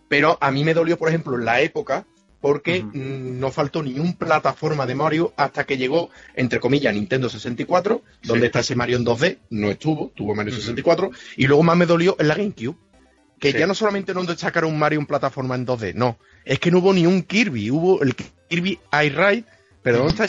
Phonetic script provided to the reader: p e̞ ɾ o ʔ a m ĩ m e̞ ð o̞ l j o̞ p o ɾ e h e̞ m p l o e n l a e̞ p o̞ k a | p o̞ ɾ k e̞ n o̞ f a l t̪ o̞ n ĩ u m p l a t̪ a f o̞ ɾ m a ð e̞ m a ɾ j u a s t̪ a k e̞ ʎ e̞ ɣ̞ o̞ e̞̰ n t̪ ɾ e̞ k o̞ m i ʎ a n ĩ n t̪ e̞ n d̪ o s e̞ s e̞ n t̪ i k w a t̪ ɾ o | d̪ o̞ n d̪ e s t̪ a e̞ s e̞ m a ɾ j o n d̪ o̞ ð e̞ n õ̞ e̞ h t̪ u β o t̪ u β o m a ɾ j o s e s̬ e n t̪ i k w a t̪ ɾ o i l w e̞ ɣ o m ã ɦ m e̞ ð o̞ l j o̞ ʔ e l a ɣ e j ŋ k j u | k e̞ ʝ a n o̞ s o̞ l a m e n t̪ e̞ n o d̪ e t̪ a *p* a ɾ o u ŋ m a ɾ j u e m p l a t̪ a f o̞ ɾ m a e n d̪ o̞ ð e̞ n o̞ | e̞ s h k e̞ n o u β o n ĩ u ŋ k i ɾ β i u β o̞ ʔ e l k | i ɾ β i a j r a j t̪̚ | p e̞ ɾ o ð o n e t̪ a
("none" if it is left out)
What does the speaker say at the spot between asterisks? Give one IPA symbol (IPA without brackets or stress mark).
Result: k